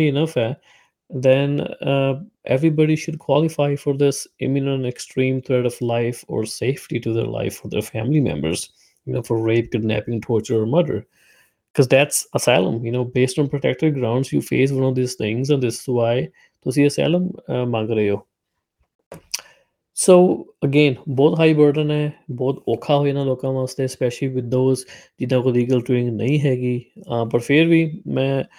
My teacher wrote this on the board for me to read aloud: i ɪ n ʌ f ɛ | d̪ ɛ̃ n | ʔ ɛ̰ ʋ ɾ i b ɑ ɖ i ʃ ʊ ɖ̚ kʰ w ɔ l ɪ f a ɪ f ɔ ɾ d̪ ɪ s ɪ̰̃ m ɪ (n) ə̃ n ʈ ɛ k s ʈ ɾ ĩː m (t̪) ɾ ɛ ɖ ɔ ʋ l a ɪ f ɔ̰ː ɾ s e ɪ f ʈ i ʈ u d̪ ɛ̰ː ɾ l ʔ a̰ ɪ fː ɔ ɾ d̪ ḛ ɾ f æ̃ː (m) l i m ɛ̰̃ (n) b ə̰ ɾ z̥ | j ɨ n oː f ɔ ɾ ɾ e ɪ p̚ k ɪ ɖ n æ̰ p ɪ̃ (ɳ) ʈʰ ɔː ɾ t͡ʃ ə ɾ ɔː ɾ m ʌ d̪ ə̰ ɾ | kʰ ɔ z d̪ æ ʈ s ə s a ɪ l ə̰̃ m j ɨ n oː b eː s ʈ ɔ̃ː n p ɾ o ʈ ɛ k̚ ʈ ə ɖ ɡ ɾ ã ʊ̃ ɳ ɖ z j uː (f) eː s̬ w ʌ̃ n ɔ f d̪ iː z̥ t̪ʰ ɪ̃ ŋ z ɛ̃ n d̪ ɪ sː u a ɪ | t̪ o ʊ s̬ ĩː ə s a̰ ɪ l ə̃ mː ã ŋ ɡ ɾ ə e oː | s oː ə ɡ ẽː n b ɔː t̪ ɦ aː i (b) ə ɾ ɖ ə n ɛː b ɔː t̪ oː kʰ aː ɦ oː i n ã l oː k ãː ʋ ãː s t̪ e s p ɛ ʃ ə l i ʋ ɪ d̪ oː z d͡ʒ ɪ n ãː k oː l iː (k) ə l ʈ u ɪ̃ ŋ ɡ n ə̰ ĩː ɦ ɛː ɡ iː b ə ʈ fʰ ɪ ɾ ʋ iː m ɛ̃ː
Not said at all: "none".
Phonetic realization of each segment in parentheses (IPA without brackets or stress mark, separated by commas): n, t̪ʰ, m, m, ŋ, f, b, ɡ